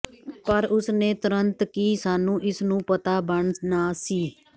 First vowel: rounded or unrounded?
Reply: unrounded